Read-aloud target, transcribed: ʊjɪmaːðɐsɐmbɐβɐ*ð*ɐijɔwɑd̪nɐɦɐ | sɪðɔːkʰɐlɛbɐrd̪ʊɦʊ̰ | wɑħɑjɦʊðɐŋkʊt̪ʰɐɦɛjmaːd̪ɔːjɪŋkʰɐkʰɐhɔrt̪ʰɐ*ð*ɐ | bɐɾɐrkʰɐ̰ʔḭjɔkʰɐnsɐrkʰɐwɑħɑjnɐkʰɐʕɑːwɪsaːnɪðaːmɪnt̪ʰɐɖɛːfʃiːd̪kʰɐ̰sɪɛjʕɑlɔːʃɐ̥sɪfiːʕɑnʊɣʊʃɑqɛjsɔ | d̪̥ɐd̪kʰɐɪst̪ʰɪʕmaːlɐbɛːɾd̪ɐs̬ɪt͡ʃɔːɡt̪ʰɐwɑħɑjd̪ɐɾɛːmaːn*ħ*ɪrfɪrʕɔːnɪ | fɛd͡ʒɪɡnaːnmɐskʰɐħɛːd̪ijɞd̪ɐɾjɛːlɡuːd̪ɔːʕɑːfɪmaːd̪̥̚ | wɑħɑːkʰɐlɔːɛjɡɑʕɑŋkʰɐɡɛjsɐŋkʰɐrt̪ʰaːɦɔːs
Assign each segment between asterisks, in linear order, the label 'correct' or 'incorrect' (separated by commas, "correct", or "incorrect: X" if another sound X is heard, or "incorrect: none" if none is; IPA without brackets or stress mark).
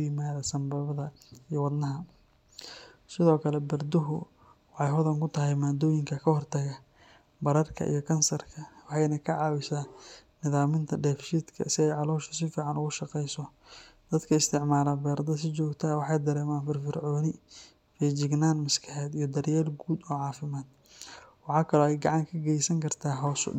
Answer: correct, incorrect: ɣ, incorrect: f